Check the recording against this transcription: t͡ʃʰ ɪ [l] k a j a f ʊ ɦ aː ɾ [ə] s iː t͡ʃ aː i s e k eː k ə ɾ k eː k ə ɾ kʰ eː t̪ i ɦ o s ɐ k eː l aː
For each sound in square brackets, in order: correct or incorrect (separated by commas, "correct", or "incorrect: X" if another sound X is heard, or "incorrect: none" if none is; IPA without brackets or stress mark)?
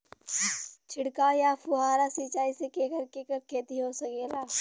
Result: incorrect: ɽ, incorrect: a